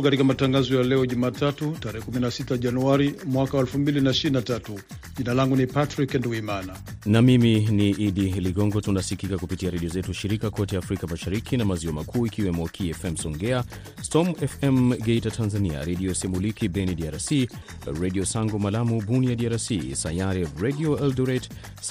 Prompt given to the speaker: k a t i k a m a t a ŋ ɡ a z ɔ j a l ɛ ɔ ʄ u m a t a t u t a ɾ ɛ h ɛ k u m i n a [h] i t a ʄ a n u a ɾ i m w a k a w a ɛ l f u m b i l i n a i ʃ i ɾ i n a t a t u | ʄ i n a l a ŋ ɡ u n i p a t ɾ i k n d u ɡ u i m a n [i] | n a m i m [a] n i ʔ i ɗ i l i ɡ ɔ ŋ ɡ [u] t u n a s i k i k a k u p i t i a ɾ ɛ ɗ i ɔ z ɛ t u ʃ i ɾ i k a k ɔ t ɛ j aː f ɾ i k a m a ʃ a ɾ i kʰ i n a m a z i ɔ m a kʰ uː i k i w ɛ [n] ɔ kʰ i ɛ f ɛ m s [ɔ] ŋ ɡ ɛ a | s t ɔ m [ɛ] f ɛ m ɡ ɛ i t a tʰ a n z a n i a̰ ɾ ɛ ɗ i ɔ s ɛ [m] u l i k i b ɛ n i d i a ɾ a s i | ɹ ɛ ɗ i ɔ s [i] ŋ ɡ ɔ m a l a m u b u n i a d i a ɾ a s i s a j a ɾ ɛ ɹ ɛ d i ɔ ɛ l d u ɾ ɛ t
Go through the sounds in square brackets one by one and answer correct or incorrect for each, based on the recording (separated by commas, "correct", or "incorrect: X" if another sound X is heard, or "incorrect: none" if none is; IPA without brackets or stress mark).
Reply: incorrect: s, incorrect: a, incorrect: i, incorrect: ɔ, incorrect: m, correct, correct, correct, incorrect: a